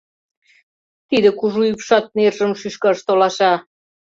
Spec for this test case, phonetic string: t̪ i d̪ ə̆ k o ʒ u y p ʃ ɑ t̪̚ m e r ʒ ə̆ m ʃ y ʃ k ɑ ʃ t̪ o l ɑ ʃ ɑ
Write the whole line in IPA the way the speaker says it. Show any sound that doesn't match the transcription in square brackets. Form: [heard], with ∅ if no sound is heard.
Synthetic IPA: t̪ i d̪ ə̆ k [u] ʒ u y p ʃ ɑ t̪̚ [n] e r ʒ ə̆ m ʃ y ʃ k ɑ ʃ t̪ o l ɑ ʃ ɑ